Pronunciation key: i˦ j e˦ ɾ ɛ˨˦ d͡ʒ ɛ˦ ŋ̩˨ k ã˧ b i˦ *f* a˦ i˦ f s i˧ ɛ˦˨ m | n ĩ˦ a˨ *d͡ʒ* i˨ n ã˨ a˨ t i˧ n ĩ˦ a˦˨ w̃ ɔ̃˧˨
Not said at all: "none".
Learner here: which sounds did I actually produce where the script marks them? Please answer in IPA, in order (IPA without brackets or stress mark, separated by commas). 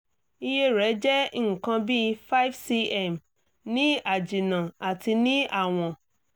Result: f, d͡ʒ